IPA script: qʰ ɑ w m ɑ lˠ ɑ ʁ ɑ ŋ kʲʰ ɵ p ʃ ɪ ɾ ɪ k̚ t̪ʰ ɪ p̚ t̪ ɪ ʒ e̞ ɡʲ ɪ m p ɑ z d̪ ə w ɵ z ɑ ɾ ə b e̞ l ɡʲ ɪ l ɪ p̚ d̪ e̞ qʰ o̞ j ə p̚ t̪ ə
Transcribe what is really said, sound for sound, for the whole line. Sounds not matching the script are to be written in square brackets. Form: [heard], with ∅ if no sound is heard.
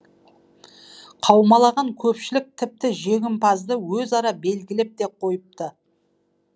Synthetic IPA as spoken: qʰ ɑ w m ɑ lˠ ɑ ʁ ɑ ŋ kʲʰ ɵ p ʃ ɪ [l] ɪ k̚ t̪ʰ ɪ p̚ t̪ ɪ ʒ e̞ ɡʲ ɪ m p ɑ z d̪ ə w ɵ z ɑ ɾ [ɑ] b e̞ l ɡʲ ɪ l ɪ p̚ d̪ e̞ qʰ o̞ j ə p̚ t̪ ə